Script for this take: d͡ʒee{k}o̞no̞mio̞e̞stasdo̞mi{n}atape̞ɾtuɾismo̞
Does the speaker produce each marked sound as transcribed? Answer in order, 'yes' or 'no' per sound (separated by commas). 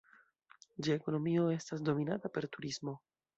yes, yes